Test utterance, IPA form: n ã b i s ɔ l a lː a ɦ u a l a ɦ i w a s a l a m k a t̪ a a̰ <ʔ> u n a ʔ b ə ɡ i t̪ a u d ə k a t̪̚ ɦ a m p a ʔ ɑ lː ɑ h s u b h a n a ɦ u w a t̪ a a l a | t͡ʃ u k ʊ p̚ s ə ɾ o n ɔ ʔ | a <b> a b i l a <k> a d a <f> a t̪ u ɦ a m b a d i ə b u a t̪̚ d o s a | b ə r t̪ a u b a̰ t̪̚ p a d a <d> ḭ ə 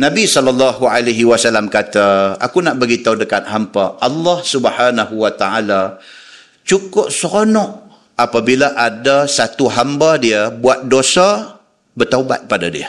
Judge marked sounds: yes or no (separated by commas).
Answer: no, no, no, no, yes